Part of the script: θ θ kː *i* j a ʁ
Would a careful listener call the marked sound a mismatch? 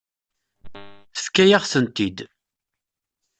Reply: yes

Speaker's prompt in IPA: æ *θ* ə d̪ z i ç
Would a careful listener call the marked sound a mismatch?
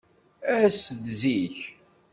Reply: yes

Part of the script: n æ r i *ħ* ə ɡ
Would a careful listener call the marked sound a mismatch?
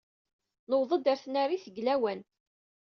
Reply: yes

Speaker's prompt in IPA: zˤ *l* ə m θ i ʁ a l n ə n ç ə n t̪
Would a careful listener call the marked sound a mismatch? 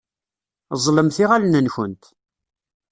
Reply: no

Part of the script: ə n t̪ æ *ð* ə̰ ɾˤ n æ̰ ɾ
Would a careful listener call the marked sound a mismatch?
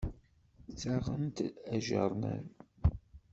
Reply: yes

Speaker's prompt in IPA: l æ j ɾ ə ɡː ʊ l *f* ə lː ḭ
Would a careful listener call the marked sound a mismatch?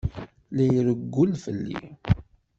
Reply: no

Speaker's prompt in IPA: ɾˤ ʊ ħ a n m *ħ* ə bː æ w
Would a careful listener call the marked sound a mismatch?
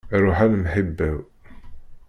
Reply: no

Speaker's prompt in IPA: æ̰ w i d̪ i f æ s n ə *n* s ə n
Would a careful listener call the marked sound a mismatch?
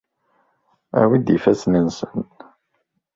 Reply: no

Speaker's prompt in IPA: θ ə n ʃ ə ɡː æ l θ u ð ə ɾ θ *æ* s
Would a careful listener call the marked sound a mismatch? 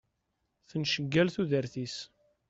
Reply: yes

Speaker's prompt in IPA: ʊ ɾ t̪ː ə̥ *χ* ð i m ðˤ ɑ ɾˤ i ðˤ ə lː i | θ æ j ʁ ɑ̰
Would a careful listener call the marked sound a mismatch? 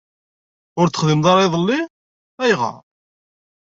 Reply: no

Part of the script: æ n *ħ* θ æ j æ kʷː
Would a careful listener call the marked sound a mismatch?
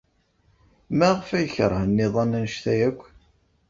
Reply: yes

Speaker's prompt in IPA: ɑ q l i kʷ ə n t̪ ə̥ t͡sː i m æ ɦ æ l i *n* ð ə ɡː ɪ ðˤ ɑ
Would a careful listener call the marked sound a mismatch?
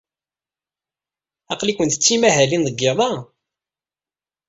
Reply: no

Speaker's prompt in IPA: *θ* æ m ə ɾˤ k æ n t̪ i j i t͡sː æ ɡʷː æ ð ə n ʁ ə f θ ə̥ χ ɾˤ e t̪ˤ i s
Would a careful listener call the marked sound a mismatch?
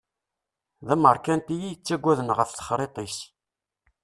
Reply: yes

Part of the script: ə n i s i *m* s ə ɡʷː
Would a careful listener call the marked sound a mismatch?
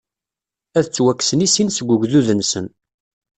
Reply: yes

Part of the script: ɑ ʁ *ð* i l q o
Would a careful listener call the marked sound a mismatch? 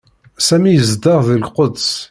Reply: no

